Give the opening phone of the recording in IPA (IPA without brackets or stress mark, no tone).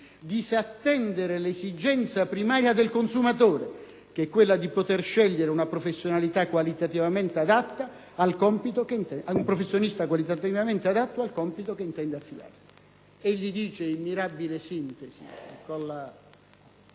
d̪